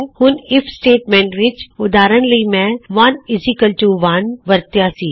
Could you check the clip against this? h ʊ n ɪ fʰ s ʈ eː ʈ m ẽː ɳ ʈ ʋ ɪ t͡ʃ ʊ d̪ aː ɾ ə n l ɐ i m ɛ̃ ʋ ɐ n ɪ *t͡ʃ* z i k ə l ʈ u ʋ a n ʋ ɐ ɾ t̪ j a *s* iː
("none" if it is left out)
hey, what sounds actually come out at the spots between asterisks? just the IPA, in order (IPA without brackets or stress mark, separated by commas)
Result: none, s